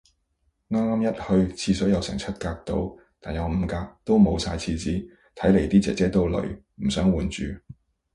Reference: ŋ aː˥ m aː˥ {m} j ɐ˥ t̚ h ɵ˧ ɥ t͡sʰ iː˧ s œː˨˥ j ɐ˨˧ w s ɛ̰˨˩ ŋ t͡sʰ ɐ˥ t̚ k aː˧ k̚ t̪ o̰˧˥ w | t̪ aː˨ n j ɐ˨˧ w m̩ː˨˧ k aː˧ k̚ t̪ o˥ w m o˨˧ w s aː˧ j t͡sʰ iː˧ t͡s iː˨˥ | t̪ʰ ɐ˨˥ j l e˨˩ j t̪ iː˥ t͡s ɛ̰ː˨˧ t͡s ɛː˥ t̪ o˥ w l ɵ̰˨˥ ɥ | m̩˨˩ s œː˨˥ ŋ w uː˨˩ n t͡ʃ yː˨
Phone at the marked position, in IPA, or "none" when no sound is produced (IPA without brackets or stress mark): m